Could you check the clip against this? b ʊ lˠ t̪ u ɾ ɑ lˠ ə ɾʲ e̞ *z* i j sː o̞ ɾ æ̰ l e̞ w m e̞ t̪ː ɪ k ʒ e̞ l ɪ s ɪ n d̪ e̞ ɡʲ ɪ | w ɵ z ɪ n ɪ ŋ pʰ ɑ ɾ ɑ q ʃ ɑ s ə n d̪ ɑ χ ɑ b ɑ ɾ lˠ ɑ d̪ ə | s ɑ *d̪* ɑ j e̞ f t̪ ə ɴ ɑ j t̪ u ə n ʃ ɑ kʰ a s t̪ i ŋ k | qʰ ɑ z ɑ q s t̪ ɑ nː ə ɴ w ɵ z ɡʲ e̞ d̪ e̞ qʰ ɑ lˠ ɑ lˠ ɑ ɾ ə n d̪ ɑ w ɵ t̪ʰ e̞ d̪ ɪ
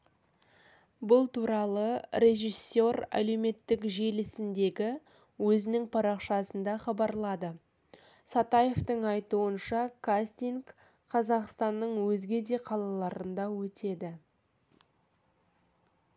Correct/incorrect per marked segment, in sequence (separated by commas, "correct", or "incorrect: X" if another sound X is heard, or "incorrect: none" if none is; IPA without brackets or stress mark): incorrect: ʒ, incorrect: t̪